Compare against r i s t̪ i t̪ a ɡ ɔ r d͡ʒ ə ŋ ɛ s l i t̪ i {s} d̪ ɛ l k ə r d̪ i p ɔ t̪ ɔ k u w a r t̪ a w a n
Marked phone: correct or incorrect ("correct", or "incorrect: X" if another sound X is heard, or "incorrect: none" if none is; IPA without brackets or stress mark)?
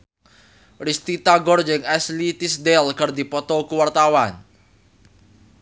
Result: correct